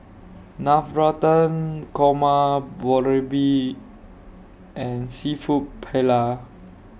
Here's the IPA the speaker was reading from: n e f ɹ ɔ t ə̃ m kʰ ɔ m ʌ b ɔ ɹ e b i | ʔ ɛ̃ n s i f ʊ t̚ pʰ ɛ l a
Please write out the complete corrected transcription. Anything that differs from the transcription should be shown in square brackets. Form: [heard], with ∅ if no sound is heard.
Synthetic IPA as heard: n [a] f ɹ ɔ t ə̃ [n] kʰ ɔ m [a] b ɔ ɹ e b i | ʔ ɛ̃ n s i f [u] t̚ pʰ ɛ l a